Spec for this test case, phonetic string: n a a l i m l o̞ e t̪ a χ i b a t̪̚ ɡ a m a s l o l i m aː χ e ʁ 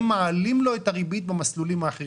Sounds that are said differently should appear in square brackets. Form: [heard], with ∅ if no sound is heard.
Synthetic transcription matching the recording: [m] a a l i m l o̞ e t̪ a [ʁ] i b [i] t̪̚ [b] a m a s l [u] l i m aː χ e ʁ